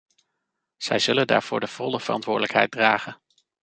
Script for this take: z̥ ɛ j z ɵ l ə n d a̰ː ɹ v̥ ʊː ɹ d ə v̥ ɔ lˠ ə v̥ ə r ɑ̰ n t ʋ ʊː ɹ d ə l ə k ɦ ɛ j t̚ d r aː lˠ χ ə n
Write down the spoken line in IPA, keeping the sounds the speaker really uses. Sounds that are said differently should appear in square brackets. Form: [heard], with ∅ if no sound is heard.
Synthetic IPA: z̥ ɛ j z ɵ l ə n d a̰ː ɹ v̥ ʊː ɹ d ə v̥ ɔ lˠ ə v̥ ə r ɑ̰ n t ʋ ʊː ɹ d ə l ə k ɦ ɛ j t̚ d r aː [∅] χ ə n